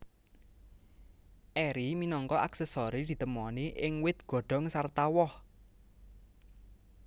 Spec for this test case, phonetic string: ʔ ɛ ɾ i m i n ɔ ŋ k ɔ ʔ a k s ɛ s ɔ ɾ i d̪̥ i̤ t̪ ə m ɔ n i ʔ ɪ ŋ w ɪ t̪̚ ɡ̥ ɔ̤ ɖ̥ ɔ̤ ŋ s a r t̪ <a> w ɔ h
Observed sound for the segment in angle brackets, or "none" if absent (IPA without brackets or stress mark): a